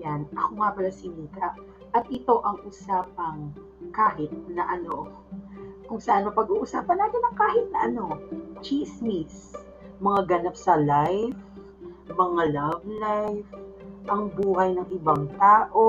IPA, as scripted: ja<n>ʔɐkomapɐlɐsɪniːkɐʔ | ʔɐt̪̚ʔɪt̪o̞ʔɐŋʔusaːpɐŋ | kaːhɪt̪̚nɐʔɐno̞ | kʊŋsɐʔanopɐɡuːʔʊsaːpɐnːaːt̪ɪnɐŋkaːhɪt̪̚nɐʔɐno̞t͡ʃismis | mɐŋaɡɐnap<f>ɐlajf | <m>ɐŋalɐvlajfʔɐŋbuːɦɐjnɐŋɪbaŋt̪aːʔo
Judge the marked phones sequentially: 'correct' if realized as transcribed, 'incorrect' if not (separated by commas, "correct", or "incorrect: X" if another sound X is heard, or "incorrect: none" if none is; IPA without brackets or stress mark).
correct, incorrect: s, correct